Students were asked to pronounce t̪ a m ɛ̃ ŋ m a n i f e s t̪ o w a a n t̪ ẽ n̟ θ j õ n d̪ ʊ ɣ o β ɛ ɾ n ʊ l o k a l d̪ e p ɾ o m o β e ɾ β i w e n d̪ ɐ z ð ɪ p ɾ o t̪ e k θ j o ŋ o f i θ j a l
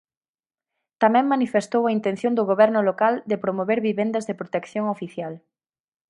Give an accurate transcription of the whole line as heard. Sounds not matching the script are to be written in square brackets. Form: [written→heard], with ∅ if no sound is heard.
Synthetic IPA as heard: t̪ a m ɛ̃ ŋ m a n i f e s t̪ o w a [a→i] n t̪ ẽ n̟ θ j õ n d̪ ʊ ɣ o β ɛ ɾ n ʊ l o k a l d̪ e p ɾ o m o β e ɾ β i [w→β] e n d̪ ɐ z ð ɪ p ɾ o t̪ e k θ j o ŋ o f i θ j a l